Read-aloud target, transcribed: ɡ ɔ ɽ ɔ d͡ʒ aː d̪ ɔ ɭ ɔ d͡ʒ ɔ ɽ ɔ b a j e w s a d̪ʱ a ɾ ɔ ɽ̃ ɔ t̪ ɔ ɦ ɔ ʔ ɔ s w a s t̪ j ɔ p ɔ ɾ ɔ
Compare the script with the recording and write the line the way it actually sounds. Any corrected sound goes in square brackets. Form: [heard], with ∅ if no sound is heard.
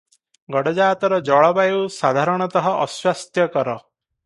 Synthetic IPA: ɡ ɔ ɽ ɔ d͡ʒ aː [t̪] ɔ [ɾ] ɔ d͡ʒ ɔ [ɭ] ɔ b a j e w s a d̪ʱ a ɾ ɔ ɽ̃ ɔ t̪ ɔ ɦ ɔ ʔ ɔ s w a s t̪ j ɔ [k] ɔ ɾ ɔ

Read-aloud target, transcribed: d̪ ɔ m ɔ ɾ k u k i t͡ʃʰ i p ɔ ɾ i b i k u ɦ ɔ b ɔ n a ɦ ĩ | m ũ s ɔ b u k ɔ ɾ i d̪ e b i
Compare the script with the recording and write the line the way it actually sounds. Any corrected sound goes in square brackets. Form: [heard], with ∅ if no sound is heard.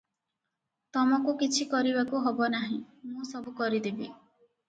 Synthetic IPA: [t̪] ɔ m ɔ [∅] k u k i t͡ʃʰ i [k] ɔ ɾ i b [a] k u ɦ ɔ b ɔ n a ɦ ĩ | m ũ s ɔ b u k ɔ ɾ i d̪ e b i

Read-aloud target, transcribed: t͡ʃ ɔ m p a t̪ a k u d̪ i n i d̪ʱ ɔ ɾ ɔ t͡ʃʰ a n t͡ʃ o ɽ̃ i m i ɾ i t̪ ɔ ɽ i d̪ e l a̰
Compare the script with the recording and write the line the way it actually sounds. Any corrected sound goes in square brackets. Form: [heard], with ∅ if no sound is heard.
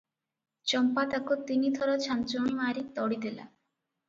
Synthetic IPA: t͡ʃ ɔ m p a t̪ a k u [t̪] i n i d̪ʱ ɔ ɾ ɔ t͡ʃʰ a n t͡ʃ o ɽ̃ i m [a] ɾ i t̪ ɔ ɽ i d̪ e l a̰

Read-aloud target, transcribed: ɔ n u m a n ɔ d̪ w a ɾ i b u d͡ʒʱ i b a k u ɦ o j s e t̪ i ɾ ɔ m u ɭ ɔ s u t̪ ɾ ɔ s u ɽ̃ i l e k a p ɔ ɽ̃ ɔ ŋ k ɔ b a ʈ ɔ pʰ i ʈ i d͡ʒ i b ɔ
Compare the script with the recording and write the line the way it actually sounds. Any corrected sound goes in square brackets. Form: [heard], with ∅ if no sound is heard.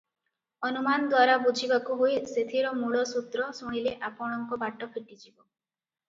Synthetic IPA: ɔ n u m a n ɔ d̪ w a ɾ [a] b u d͡ʒʱ i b a k u ɦ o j s e [t̪ʰ] i ɾ ɔ m u ɭ ɔ s u t̪ ɾ ɔ s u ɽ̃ i l e [ʔ] a p ɔ ɽ̃ ɔ ŋ k ɔ b a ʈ ɔ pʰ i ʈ i d͡ʒ i b ɔ

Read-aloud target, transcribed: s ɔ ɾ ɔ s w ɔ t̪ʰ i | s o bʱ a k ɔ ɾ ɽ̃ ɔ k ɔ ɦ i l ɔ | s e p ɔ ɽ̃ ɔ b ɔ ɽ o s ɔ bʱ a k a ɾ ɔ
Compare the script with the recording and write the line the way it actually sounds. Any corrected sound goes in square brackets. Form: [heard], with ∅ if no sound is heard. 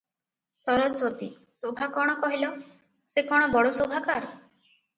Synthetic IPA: s ɔ ɾ ɔ s w ɔ [t̪] i | s o bʱ a k ɔ [∅] ɽ̃ ɔ k ɔ ɦ i l ɔ | s e [k] ɔ ɽ̃ ɔ b ɔ ɽ o s [o] bʱ a k a ɾ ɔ

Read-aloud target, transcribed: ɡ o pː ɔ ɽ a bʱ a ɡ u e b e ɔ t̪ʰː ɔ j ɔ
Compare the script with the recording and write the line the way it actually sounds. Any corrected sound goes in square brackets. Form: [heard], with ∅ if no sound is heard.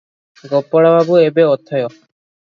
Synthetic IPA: ɡ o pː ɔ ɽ a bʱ a [b] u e b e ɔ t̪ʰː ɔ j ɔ

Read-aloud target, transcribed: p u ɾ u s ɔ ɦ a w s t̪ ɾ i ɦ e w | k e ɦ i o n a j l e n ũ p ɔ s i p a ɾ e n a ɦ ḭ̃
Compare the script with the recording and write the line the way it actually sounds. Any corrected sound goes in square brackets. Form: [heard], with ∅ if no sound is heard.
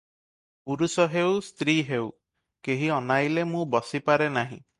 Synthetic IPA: p u ɾ u s ɔ ɦ [e] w s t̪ ɾ i ɦ e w | k e ɦ i [ɔ] n a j l e [m] ũ [b] ɔ s i p a ɾ e n a ɦ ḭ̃

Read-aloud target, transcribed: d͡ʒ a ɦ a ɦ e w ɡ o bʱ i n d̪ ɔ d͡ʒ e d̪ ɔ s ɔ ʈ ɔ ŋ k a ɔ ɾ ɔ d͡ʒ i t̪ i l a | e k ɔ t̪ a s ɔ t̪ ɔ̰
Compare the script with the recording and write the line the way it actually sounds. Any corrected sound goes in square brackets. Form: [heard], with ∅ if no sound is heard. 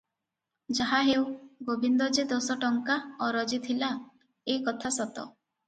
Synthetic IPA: d͡ʒ a ɦ a ɦ e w ɡ o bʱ i n d̪ ɔ d͡ʒ e d̪ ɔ s ɔ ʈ ɔ ŋ k a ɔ ɾ ɔ d͡ʒ i [t̪ʰ] i l a | e k ɔ [t̪ʰ] a s ɔ t̪ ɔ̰

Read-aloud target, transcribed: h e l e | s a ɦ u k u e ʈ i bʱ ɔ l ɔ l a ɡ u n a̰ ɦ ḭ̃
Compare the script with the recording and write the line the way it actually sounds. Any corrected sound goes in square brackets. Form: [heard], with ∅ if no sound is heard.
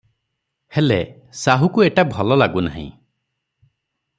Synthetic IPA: h e l e | s a ɦ u k u e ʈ [a] bʱ ɔ l ɔ l a ɡ u n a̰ ɦ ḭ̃

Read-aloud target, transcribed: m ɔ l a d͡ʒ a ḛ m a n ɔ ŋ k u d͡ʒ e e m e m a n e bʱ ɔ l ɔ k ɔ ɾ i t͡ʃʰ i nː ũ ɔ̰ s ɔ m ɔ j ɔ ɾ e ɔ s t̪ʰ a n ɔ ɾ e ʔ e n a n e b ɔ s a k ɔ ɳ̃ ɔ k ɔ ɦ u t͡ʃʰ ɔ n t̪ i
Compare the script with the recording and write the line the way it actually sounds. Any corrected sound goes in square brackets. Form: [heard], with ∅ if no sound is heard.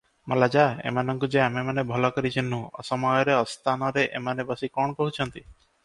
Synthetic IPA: m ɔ l a d͡ʒ a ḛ m a n ɔ ŋ k u d͡ʒ e [a] m e m a n e bʱ ɔ l ɔ k ɔ ɾ i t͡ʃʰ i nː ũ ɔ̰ s ɔ m ɔ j ɔ ɾ e ɔ s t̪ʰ a n ɔ ɾ e ʔ e [m] a n e b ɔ s [i] k ɔ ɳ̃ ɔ k ɔ ɦ u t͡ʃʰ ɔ n t̪ i

